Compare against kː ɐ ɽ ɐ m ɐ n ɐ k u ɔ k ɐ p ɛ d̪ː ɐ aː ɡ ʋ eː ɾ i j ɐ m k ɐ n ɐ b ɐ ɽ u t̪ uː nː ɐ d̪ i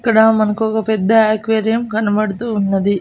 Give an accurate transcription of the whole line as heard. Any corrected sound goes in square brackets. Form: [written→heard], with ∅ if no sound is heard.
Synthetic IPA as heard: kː ɐ ɽ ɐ m ɐ n ɐ k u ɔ k ɐ p ɛ d̪ː ɐ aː [ɡ→k] ʋ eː ɾ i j ɐ m k ɐ n ɐ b ɐ ɽ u t̪ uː nː ɐ d̪ i